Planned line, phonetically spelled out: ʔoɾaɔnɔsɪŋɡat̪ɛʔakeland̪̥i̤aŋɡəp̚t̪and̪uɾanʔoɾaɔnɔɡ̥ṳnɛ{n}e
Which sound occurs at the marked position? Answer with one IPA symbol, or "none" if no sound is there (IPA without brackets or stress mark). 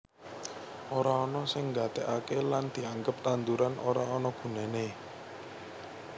n